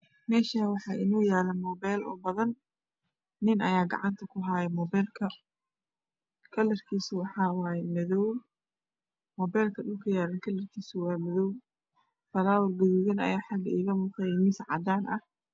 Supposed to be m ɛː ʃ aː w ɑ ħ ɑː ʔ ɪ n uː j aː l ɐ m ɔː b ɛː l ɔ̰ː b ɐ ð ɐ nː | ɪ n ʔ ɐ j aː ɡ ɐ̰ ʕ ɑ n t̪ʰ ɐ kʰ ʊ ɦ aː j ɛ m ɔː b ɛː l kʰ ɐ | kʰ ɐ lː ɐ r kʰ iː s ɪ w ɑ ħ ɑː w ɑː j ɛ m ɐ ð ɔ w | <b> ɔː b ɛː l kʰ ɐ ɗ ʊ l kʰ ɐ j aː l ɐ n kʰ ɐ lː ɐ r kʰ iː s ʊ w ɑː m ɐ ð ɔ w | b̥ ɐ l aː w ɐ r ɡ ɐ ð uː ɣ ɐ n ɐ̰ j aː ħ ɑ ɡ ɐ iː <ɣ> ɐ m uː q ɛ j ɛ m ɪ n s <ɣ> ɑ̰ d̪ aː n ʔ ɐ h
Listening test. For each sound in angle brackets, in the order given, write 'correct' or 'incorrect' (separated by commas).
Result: incorrect, correct, incorrect